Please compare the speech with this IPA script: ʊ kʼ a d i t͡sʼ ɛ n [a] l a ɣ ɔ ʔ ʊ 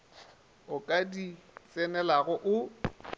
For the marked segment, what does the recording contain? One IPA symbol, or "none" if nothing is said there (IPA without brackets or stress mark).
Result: ɛ